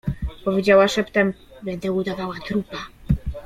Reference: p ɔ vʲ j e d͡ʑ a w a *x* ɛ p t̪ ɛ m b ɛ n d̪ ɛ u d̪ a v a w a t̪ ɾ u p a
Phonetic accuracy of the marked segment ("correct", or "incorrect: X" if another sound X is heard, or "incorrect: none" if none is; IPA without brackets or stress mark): incorrect: ʂ